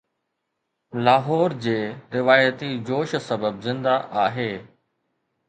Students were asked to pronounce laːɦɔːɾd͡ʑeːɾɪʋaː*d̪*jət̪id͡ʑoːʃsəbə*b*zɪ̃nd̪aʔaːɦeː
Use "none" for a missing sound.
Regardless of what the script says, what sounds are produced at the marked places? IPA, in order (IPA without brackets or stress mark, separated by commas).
none, b